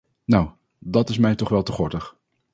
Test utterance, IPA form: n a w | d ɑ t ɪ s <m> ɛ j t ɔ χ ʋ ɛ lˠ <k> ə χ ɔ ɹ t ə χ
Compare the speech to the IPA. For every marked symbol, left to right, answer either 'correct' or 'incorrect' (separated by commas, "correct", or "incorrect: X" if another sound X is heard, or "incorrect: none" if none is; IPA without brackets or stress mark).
correct, incorrect: t